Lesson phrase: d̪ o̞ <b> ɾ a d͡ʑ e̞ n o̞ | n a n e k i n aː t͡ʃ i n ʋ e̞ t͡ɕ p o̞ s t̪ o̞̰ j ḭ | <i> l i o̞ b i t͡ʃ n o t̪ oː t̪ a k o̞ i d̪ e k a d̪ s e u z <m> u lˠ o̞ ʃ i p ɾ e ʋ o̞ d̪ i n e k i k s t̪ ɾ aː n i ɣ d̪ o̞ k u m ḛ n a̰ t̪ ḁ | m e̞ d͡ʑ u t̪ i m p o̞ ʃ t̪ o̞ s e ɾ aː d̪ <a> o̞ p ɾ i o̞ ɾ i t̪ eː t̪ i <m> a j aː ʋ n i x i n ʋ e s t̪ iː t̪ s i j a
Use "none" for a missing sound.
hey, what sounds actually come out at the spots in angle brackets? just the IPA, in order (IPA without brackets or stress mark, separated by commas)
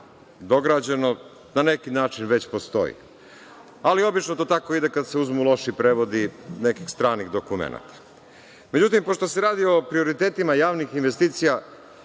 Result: ɡ, a, m, i, m